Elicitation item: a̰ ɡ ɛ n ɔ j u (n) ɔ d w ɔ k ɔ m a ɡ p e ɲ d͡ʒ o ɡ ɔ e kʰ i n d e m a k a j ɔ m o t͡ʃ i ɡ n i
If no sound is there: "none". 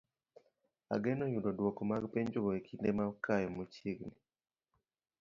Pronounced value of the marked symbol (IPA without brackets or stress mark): d